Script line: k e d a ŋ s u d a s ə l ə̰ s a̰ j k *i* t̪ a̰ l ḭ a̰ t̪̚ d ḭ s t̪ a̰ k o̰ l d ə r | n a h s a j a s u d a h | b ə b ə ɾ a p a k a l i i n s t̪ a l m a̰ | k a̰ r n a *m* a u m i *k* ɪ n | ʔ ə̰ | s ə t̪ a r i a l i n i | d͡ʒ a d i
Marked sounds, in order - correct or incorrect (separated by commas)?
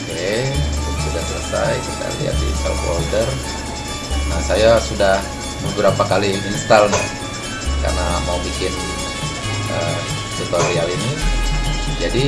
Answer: correct, correct, correct